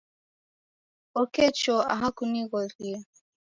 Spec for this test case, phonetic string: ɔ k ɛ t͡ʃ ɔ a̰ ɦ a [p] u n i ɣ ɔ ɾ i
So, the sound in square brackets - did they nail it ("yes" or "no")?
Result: no